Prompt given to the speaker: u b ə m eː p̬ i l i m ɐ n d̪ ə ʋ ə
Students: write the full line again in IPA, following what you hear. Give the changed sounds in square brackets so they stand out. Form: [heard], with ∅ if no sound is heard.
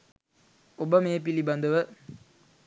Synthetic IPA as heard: [o] b ə m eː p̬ i l i [b] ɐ n d̪ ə ʋ ə